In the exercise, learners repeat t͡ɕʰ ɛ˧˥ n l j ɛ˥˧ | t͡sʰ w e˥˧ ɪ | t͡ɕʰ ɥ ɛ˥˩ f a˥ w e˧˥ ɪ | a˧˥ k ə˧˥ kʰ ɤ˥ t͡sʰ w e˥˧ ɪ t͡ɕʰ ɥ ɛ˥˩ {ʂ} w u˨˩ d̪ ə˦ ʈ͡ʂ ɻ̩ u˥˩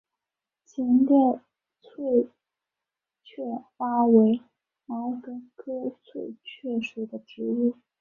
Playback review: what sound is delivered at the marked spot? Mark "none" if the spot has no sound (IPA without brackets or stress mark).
ʂ